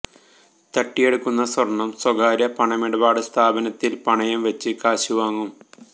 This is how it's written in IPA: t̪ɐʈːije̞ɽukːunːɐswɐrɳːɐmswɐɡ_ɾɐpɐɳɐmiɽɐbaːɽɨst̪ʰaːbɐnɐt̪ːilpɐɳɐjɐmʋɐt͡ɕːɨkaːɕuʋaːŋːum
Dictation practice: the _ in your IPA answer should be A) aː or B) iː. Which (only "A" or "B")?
A